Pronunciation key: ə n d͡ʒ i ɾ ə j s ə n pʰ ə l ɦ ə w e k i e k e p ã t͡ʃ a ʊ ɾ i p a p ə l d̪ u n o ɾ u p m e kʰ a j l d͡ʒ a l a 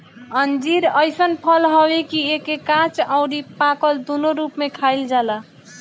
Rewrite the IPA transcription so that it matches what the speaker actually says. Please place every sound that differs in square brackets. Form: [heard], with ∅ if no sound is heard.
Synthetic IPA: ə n d͡ʒ i ɾ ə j s ə n pʰ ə l ɦ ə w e k i e k e [k] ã t͡ʃ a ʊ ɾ i p a [k] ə l d̪ u n o ɾ u p m e kʰ a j l d͡ʒ a l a